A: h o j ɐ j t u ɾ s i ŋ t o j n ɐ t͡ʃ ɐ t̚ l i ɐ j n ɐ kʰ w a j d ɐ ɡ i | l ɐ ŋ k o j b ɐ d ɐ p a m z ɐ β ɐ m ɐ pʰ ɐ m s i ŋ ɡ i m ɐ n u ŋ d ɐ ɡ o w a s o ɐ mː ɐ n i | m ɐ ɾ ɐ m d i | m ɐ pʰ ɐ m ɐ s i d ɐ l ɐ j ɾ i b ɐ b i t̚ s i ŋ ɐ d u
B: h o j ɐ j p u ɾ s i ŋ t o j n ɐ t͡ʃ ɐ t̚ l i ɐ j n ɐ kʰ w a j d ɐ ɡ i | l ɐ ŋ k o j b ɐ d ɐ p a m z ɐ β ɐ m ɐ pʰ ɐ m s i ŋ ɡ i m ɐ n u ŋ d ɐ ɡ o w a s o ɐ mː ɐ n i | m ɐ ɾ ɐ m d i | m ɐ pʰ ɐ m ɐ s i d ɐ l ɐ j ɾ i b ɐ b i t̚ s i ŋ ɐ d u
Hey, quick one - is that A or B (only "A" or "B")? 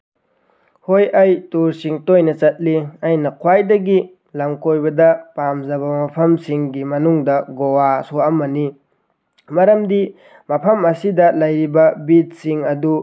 A